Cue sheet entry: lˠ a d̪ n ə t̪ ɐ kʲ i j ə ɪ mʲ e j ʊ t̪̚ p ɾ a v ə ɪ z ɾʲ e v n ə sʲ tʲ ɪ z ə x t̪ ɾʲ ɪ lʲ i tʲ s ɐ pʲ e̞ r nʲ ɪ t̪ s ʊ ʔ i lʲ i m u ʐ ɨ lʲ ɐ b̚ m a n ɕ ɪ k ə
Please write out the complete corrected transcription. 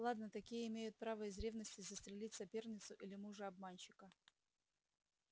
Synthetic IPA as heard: lˠ a d̪ n ə t̪ ɐ kʲ i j ə ɪ mʲ e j ʊ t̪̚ p ɾ a v ə ɪ z ɾʲ e v n ə sʲ tʲ ɪ z ə s t̪ ɾʲ ɪ lʲ i tʲ s ɐ pʲ e̞ r nʲ ɪ t̪ s ʊ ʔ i lʲ ɪ m u ʐ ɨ ɐ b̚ m a n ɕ ɪ k ə